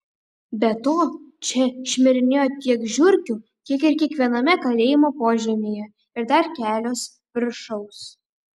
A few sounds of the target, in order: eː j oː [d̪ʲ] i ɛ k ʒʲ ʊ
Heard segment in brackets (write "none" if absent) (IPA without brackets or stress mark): t̪ʲ